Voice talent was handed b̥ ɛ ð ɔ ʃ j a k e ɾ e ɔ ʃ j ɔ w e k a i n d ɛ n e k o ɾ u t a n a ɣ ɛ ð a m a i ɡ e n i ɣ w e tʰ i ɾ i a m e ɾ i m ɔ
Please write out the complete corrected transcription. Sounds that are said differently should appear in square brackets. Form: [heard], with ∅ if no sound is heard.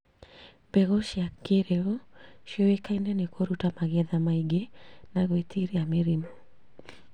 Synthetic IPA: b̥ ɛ [ɣ] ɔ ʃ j a k e ɾ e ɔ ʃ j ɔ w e k a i n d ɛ n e k o ɾ u t a [m] a ɣ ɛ ð a m a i ɡ e n [a] ɣ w e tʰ i ɾ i a m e ɾ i m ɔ